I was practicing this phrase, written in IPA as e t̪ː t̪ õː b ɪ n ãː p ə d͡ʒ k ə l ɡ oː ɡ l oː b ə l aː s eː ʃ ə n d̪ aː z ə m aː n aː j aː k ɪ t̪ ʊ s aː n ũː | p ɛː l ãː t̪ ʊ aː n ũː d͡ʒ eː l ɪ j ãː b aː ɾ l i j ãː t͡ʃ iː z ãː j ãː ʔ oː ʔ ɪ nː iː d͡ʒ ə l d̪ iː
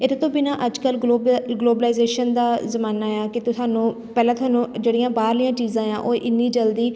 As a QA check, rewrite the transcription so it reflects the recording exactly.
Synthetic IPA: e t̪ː t̪ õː b ɪ n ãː ʔ ə d͡ʒ k ə l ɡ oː ɡ l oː b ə l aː z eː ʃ ə n d̪ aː z ə m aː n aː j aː k ɪ t̪ ʊ s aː n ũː | p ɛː l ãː t̪ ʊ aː n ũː d͡ʒ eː ɽ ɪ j ãː b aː ɾ l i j ãː t͡ʃ iː z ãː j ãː ʔ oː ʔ ɪ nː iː d͡ʒ ə l d̪ iː

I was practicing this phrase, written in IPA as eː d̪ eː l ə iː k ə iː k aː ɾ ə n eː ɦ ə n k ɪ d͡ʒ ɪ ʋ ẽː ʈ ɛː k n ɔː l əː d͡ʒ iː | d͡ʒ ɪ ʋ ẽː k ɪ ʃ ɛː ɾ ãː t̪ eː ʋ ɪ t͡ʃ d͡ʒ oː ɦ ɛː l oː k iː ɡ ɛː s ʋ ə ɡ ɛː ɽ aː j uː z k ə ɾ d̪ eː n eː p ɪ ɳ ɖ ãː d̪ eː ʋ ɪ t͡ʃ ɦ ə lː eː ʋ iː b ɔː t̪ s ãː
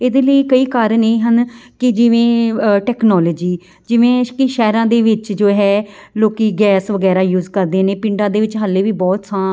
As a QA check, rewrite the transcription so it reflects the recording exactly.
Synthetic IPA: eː d̪ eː l ə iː k ə iː k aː ɾ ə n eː ɦ ə n k ɪ d͡ʒ ɪ ʋ ẽː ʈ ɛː k n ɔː l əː d͡ʒ iː | d͡ʒ ɪ ʋ ẽː k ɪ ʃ ɛː ɾ ãː d̪ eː ʋ ɪ t͡ʃ d͡ʒ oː ɦ ɛː l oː k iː ɡ ɛː s ʋ ə ɡ ɛː ɾ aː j uː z k ə ɾ d̪ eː n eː p ɪ ɳ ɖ ãː d̪ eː ʋ ɪ t͡ʃ ɦ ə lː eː ʋ iː b ɔː t̪ s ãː

